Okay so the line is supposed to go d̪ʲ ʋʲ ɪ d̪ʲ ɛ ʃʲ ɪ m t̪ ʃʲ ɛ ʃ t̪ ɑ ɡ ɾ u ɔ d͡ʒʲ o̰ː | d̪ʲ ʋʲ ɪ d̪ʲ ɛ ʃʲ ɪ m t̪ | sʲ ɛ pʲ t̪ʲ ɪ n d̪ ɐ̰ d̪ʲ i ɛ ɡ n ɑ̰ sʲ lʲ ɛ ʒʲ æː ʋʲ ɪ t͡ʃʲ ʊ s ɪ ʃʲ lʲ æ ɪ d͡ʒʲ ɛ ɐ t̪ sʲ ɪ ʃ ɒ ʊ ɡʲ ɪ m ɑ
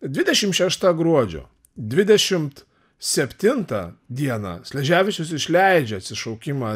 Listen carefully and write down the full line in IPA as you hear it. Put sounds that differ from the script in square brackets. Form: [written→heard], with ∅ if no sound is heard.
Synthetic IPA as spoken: d̪ʲ ʋʲ ɪ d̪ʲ ɛ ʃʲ ɪ m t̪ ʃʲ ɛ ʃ t̪ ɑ ɡ ɾ u ɔ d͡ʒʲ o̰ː | d̪ʲ ʋʲ ɪ d̪ʲ ɛ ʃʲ ɪ m t̪ | sʲ ɛ pʲ t̪ʲ ɪ n [d̪→t̪] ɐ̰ d̪ʲ i ɛ [ɡ→∅] n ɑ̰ sʲ lʲ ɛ ʒʲ æː ʋʲ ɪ t͡ʃʲ ʊ s ɪ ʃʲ lʲ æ ɪ d͡ʒʲ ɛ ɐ t̪ sʲ ɪ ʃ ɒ ʊ [ɡʲ→kʲ] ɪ m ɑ